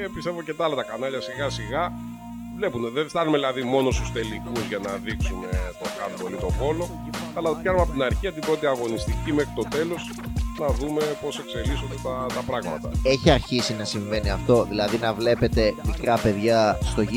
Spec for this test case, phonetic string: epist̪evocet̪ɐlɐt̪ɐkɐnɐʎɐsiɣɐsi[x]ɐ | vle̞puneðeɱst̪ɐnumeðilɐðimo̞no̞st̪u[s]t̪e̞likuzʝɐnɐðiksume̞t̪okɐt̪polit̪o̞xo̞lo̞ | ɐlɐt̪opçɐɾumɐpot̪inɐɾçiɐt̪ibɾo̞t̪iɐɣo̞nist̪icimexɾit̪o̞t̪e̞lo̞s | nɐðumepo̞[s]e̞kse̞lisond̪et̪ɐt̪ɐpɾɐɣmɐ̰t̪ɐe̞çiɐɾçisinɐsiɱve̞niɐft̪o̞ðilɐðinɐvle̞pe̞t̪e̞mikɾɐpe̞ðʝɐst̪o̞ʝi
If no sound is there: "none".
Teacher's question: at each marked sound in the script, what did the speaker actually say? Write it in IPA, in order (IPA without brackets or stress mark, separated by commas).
ɣ, s, s